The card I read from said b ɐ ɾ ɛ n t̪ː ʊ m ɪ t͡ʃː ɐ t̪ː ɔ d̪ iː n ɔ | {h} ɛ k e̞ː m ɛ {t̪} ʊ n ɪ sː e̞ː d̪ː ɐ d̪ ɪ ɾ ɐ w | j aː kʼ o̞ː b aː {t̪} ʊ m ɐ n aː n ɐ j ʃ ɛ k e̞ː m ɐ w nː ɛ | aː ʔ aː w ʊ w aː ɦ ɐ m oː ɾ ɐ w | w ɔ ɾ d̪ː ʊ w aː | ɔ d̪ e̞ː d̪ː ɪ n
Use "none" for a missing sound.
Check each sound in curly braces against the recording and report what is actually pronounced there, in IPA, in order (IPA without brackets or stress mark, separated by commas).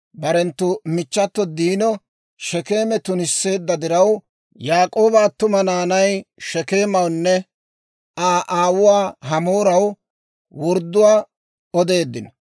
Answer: ʃ, t̪, t̪